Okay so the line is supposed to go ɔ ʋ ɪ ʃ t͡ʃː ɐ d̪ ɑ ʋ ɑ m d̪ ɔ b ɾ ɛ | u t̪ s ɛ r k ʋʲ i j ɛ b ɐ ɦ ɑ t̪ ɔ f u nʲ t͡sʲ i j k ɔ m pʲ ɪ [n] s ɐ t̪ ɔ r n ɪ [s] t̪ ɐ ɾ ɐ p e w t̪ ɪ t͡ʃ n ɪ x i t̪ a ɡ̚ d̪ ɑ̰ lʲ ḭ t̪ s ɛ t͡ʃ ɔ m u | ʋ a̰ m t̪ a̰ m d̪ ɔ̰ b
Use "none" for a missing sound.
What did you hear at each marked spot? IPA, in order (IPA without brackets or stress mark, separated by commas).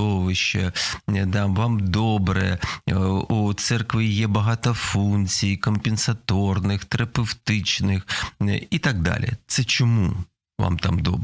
n, x